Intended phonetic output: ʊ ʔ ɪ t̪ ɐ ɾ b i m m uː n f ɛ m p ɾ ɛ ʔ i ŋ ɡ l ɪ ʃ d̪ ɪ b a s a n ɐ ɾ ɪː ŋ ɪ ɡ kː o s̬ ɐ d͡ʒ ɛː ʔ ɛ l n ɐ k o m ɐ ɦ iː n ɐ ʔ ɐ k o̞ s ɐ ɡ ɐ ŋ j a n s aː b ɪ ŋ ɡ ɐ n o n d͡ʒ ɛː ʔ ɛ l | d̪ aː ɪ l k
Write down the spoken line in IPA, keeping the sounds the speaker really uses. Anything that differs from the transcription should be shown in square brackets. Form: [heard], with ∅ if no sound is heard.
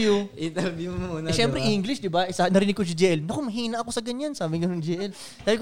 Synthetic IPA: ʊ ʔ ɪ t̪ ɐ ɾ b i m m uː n [ʃ] ɛ m p ɾ ɛ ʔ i ŋ ɡ l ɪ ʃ d̪ ɪ b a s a n ɐ ɾ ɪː [n] ɪ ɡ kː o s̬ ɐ d͡ʒ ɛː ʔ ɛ l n ɐ k o m ɐ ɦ iː n ɐ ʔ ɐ k o̞ s ɐ ɡ ɐ [ɲ] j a n s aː b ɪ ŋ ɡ ɐ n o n d͡ʒ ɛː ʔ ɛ l | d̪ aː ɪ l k